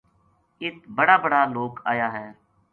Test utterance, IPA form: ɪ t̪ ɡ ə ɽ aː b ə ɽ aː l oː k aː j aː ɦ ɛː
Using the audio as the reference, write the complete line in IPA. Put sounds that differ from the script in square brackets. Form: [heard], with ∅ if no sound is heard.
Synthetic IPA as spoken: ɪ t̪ [b] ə ɽ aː b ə ɽ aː l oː k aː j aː ɦ ɛː

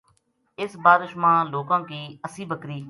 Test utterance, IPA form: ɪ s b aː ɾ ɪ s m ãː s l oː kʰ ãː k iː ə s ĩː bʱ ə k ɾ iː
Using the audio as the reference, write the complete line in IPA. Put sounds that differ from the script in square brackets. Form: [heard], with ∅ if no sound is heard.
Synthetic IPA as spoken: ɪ s b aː ɾ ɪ [ʃ] m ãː [∅] l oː [k] ãː k iː ə s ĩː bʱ ə k ɾ iː

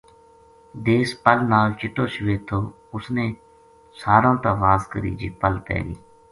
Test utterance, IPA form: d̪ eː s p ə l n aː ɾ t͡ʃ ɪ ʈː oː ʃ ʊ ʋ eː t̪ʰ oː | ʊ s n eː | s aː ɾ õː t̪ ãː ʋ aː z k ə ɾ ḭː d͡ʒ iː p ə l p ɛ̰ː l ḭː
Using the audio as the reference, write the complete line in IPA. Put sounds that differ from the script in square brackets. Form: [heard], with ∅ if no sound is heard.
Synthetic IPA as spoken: d̪ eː s p ə l n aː [l] t͡ʃ ɪ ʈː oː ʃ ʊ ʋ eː t̪ʰ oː | ʊ s n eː | s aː ɾ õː t̪ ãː ʋ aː z k ə ɾ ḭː d͡ʒ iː p ə l p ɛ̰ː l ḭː

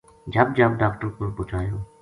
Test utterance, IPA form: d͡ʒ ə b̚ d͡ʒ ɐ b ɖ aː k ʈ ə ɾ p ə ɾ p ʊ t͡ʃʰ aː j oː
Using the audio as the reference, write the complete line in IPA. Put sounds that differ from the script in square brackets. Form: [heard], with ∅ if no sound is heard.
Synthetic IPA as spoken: d͡ʒ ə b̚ d͡ʒ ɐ b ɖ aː k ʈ ə ɾ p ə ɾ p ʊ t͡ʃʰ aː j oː

